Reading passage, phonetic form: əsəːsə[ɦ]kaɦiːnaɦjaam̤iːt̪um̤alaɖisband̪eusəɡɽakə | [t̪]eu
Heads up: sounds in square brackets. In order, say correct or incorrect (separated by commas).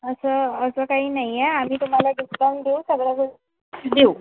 incorrect, incorrect